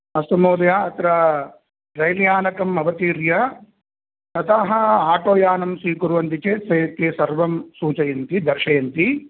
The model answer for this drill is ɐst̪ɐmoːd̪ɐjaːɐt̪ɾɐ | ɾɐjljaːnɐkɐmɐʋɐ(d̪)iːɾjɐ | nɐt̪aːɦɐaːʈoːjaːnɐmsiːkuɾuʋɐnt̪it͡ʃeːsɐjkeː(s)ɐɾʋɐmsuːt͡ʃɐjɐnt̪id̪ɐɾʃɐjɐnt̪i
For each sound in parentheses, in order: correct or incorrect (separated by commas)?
incorrect, correct